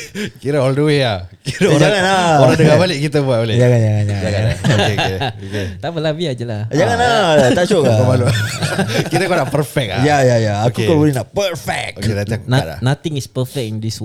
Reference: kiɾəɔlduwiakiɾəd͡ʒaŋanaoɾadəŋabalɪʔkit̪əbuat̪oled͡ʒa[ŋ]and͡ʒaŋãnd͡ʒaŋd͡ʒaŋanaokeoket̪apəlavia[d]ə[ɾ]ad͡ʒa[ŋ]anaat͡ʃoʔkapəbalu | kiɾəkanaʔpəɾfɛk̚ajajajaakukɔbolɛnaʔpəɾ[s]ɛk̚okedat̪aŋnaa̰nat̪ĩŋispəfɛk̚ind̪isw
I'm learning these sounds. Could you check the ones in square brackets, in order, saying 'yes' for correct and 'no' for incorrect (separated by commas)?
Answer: yes, no, no, yes, no